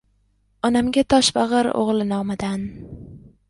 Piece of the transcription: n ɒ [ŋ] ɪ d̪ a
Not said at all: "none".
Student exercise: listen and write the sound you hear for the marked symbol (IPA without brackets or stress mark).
m